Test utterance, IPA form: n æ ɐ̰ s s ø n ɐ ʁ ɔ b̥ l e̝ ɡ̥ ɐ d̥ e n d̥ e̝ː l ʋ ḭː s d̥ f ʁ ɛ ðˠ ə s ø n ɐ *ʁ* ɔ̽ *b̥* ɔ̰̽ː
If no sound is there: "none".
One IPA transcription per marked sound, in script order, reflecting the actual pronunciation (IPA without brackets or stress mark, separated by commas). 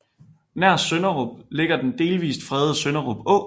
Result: ʁ, b̥